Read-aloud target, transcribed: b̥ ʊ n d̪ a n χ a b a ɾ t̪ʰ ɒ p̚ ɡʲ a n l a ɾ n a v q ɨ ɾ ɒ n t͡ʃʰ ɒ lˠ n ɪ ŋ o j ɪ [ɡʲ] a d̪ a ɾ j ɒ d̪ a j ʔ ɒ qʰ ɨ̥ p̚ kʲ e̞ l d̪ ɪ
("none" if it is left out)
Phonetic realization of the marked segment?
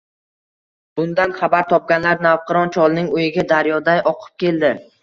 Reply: ɡʲ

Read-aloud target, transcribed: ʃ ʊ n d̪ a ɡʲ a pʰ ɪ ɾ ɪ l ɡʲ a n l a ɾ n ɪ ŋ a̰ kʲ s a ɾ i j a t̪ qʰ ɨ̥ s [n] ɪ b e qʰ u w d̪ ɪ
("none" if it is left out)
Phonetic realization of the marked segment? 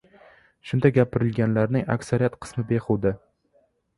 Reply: m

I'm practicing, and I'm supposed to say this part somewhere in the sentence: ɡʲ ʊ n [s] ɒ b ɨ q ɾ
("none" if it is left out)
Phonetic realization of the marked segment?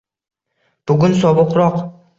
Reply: s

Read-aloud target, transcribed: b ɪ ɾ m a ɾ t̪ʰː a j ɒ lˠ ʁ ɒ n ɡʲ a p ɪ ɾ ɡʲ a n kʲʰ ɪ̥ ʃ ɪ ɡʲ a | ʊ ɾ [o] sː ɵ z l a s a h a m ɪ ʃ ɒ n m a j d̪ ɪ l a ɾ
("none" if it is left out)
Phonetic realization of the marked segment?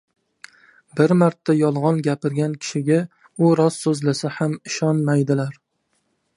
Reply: ɒ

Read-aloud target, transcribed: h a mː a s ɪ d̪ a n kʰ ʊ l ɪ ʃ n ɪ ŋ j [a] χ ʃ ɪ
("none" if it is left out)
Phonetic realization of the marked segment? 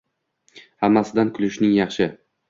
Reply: ɑ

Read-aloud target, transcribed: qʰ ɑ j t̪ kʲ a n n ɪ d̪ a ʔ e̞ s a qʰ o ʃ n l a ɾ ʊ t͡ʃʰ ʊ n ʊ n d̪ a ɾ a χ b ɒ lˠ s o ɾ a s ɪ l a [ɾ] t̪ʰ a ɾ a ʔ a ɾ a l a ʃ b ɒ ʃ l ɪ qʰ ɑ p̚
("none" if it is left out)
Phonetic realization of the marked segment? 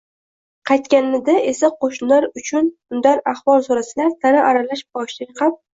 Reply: ɾ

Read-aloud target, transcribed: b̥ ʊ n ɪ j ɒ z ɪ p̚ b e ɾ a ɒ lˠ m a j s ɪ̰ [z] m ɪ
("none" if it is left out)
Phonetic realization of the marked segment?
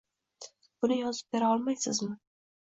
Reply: z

